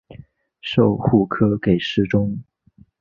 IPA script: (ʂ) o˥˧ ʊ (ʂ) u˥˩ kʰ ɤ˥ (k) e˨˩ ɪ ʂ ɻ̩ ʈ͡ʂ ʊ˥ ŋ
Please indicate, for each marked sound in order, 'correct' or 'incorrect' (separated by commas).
correct, incorrect, correct